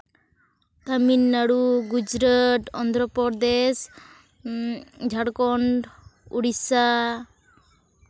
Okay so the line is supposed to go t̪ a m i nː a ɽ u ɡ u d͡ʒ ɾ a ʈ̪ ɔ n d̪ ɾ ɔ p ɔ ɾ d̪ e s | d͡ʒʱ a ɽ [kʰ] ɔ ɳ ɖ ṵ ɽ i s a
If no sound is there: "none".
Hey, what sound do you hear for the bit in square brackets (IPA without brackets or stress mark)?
k